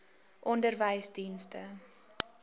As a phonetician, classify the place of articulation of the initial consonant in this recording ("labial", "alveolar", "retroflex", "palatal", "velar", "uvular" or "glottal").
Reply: glottal